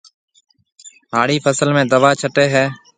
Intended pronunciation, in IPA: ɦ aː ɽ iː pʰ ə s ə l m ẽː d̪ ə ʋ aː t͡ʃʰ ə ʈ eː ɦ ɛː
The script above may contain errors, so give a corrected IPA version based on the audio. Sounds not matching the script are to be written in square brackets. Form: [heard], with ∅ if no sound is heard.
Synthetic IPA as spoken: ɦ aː ɽ iː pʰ ə s ə l m ẽː d̪ ə ʋ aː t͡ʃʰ ə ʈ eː ɦ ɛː